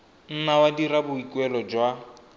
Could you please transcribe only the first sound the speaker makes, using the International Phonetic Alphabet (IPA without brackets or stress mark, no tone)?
n̩